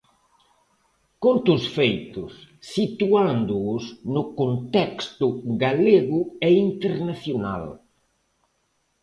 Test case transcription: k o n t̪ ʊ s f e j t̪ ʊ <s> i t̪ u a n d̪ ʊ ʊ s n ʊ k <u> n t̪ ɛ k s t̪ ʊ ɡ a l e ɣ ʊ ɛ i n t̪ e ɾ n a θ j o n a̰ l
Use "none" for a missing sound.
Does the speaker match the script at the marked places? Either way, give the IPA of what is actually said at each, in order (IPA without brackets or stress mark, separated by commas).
sː, o